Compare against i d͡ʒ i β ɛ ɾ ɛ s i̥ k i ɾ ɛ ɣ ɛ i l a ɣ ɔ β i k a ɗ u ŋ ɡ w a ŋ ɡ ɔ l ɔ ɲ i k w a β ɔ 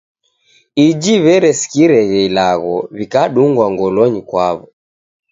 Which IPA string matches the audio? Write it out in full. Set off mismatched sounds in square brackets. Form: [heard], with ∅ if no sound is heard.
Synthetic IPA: i d͡ʒ i β ɛ ɾ ɛ s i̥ k i ɾ ɛ ɣ ɛ i l a ɣ ɔ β i k a ɗ u ŋ ɡ w a ŋ ɡ ɔ l ɔ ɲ i k w a β ɔ